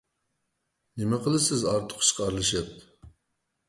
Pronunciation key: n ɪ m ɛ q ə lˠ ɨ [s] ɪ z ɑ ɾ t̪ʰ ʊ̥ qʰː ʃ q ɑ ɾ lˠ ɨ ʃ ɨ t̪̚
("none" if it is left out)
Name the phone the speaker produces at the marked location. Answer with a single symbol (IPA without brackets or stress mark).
s